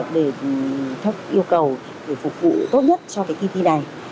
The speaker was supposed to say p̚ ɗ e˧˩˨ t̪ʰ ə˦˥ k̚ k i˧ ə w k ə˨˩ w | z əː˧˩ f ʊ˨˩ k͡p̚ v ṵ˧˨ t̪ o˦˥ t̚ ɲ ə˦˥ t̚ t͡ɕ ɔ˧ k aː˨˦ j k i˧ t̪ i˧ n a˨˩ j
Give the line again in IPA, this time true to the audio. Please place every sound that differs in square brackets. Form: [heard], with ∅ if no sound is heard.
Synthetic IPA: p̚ ɗ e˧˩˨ t̪ʰ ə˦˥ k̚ [ʔ] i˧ ə w k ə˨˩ w | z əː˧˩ f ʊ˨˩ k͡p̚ v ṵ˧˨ t̪ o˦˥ t̚ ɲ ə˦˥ t̚ t͡ɕ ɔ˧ k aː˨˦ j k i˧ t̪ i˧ n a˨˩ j